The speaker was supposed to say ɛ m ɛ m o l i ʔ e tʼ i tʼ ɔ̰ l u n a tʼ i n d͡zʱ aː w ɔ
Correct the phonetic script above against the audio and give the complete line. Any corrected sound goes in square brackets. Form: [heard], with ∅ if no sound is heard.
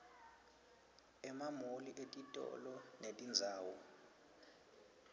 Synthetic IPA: ɛ m [a] m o l i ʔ e tʼ i tʼ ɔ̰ l [ɔ] n [e] tʼ i n d͡zʱ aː w ɔ